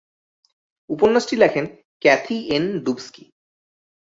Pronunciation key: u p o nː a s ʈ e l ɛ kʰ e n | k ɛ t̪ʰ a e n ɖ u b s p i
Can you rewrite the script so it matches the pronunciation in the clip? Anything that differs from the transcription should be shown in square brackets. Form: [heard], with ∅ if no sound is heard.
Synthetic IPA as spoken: u p o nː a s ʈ [i] l ɛ kʰ e n | k ɛ t̪ʰ [i] e n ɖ u b s [k] i